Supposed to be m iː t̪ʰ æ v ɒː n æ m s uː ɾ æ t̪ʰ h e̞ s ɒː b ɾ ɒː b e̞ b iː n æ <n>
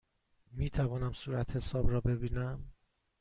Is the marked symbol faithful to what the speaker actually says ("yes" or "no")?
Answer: no